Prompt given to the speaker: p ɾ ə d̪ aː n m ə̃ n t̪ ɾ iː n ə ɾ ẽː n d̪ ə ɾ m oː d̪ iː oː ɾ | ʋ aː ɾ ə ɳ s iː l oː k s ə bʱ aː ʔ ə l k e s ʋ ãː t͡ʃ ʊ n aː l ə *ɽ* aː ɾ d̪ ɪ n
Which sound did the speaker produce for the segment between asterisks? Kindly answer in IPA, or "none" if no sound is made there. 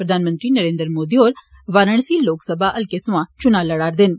ɽ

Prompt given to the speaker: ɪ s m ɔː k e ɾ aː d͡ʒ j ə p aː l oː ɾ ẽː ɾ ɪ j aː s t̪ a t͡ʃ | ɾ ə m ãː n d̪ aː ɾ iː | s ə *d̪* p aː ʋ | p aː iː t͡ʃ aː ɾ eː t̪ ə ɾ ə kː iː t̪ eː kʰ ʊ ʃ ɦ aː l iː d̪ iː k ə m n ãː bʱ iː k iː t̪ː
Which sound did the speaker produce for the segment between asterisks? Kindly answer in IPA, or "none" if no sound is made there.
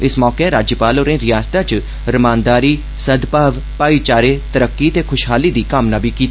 d̪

